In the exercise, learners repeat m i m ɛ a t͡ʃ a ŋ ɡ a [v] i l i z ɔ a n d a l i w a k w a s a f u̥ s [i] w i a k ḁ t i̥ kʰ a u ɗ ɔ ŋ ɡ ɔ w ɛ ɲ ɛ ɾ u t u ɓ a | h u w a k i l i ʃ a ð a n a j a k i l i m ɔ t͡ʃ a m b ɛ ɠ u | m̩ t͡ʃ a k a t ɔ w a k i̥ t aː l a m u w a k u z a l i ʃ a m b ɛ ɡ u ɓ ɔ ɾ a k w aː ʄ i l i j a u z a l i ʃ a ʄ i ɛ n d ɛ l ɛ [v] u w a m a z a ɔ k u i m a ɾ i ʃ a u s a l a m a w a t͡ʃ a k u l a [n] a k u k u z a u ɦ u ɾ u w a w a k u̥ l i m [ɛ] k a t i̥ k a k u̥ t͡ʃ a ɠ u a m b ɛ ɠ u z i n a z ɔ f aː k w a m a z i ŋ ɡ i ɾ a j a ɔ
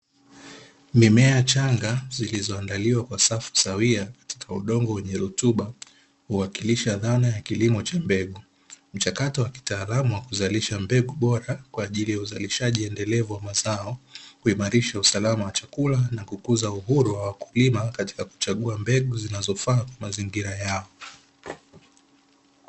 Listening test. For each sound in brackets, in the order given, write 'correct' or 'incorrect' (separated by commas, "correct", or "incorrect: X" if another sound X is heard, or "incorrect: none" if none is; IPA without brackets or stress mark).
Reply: incorrect: z, incorrect: a, correct, correct, incorrect: a